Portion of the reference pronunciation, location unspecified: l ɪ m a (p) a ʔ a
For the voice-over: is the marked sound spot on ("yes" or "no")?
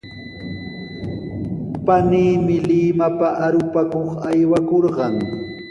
yes